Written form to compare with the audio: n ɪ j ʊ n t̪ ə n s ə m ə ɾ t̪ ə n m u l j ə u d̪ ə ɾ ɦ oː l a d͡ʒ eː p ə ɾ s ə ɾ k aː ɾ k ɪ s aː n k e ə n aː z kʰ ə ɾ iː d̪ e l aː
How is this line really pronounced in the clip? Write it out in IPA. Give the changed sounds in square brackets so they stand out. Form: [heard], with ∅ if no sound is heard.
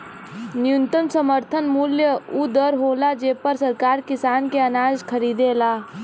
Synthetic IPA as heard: n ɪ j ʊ n t̪ ə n s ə m ə ɾ [t̪ʰ] ə n m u l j ə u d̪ ə ɾ ɦ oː l a d͡ʒ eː p ə ɾ s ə ɾ k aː ɾ k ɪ s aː n k e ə n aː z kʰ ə ɾ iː d̪ e l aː